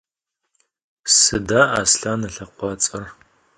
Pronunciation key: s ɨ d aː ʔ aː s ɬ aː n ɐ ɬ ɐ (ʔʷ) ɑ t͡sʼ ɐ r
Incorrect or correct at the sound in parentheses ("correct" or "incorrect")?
incorrect